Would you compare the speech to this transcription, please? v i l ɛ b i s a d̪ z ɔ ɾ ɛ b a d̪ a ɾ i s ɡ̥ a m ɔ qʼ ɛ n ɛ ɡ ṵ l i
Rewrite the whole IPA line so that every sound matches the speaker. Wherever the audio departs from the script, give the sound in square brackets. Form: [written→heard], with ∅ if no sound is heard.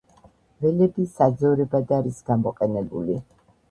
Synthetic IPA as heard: v [i→ɛ] l ɛ b i s a d̪ z ɔ ɾ ɛ b a d̪ a ɾ i s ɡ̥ a m ɔ qʼ ɛ n ɛ [ɡ→b] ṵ l i